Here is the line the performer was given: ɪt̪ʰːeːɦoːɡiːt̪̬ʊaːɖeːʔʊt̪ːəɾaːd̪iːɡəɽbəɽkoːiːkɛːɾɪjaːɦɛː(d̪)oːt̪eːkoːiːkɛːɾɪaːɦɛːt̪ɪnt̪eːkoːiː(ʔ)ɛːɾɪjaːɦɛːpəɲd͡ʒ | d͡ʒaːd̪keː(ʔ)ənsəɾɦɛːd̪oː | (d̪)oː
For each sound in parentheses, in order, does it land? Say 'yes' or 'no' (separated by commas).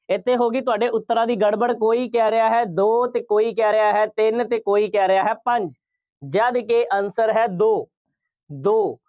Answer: yes, no, yes, yes